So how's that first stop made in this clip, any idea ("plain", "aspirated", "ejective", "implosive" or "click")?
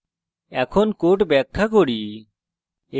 aspirated